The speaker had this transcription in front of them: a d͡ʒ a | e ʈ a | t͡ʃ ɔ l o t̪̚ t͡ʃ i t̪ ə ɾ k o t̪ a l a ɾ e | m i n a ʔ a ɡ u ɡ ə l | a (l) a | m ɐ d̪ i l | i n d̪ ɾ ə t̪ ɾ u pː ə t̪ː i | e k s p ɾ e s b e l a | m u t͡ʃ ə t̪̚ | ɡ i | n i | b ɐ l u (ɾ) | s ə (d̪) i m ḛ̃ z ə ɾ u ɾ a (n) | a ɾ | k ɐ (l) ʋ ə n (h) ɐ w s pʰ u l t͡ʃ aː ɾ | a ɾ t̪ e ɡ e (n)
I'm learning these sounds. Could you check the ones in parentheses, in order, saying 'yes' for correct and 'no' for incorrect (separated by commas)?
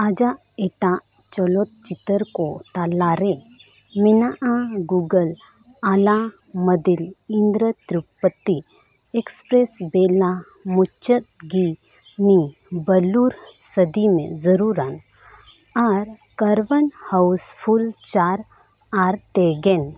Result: yes, yes, yes, yes, no, yes, yes